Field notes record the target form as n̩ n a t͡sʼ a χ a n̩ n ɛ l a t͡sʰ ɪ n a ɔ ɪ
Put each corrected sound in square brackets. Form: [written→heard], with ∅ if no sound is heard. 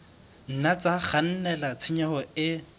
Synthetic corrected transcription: n̩ n a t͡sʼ a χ a n̩ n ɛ l a t͡sʰ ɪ [n→ɲ] a ɔ ɪ

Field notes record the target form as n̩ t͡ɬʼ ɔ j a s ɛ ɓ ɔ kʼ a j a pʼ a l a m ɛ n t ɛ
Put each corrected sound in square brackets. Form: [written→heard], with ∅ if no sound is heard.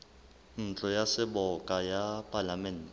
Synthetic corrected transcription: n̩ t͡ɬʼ ɔ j a s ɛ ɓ ɔ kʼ a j a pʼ a l a m ɛ n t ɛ

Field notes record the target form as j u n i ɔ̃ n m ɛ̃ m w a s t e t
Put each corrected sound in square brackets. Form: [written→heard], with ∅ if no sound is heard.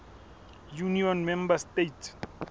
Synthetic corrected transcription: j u n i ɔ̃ n m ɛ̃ m [w→b] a s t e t

